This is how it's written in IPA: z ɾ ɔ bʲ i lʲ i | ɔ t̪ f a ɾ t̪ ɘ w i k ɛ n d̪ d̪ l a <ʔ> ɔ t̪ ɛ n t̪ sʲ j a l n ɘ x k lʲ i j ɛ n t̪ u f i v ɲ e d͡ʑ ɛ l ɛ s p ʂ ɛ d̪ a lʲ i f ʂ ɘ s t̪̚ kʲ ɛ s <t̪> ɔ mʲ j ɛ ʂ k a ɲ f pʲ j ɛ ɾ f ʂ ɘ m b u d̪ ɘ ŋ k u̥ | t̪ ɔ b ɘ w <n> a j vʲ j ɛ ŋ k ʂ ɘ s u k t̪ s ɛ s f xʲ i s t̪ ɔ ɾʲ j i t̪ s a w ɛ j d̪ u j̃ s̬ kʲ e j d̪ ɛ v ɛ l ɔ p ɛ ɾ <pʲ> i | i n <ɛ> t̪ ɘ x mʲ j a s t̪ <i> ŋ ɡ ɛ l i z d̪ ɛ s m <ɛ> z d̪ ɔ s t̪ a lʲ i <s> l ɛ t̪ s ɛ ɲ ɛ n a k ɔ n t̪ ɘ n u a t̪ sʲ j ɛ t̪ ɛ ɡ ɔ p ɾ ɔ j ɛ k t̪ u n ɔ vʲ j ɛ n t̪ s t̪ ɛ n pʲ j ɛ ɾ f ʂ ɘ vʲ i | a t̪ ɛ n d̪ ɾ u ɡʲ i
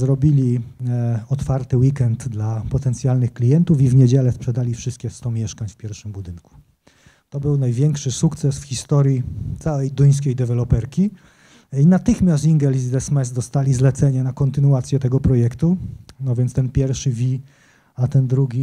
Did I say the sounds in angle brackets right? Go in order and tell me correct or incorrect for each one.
incorrect: p, correct, correct, incorrect: kʲ, incorrect: a, correct, correct, incorrect: z

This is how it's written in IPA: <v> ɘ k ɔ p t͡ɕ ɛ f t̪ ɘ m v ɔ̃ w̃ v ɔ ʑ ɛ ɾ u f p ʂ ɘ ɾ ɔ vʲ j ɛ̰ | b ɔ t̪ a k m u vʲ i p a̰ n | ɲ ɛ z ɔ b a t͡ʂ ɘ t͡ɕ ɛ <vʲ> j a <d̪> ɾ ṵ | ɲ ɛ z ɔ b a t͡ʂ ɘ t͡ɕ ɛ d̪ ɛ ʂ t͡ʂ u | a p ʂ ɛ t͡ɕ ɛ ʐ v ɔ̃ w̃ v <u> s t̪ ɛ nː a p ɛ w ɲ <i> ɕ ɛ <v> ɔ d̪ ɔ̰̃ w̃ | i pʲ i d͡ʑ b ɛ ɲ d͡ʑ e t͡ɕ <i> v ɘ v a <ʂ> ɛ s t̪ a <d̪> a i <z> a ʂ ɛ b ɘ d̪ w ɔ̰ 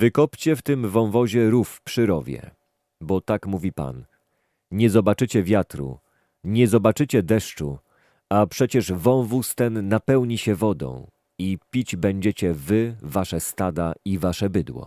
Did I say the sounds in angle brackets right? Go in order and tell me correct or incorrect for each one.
correct, correct, incorrect: t̪, correct, correct, correct, incorrect: ɛ, correct, correct, incorrect: v

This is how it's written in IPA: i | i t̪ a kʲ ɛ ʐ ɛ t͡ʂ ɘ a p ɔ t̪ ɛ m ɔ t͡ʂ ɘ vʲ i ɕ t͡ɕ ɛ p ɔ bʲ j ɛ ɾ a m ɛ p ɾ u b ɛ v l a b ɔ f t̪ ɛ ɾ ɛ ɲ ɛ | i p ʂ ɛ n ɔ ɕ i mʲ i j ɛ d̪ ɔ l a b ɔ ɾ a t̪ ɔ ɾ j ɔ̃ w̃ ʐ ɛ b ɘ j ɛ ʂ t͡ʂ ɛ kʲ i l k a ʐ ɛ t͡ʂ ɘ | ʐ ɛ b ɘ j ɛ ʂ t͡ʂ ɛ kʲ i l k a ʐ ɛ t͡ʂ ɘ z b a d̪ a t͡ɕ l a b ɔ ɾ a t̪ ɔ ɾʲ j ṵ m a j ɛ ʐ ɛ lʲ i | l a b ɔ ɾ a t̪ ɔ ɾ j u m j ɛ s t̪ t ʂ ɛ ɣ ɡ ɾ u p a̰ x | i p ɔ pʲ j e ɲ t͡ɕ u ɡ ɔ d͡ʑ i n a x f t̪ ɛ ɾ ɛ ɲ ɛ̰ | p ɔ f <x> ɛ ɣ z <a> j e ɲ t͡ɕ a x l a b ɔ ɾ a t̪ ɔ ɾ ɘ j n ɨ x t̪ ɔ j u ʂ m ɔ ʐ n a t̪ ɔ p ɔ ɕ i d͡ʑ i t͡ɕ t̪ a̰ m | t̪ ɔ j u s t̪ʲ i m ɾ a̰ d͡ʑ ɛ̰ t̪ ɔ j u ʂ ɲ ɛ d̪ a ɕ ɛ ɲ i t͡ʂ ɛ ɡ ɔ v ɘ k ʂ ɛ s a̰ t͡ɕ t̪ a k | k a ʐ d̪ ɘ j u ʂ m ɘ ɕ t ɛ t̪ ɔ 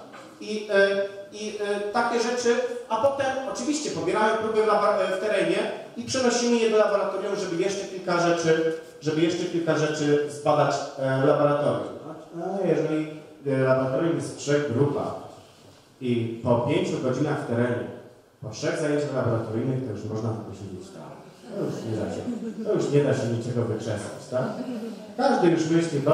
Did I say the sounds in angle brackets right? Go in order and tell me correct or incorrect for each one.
incorrect: ʂ, correct

